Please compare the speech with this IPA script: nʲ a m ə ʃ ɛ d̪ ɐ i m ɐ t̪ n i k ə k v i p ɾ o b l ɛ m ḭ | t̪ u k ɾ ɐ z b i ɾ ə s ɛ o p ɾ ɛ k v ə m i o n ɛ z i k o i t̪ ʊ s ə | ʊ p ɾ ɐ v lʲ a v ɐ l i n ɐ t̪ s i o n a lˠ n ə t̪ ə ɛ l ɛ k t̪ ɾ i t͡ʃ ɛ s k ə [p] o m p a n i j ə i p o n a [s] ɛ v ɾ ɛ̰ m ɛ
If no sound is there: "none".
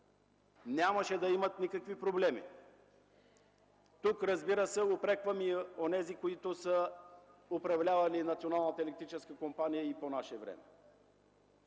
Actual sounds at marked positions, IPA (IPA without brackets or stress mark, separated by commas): k, ʃ